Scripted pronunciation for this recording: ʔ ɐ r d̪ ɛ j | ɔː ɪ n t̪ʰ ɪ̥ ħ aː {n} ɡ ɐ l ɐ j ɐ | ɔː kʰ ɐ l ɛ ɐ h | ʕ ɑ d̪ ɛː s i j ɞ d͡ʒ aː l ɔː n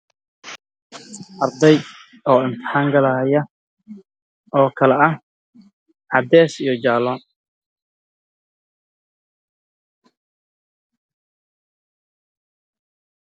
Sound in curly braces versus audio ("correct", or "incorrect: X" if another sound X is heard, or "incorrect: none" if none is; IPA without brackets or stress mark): incorrect: ŋ